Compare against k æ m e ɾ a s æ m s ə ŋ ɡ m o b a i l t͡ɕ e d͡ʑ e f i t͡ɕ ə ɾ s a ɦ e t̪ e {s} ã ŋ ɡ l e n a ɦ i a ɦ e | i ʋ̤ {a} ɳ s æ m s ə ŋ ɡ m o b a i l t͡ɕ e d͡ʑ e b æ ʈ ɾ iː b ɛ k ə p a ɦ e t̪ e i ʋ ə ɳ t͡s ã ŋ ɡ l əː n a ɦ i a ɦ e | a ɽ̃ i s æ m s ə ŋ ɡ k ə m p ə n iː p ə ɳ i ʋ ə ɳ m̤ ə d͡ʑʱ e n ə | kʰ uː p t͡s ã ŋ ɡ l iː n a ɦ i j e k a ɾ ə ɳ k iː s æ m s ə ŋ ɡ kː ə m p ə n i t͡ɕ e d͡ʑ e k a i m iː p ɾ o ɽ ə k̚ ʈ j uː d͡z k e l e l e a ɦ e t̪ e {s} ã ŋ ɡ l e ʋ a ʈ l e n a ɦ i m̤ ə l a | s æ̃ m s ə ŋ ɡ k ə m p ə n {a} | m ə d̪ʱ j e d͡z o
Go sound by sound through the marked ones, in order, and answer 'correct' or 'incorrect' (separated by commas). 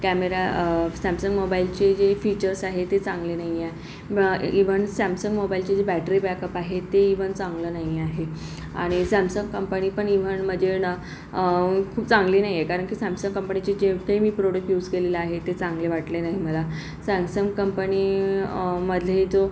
incorrect, incorrect, incorrect, incorrect